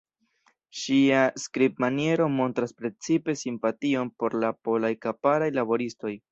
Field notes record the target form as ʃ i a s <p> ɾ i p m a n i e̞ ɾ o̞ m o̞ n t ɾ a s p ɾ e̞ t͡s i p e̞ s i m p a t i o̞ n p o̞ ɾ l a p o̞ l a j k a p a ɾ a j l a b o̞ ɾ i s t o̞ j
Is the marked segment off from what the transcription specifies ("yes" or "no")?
yes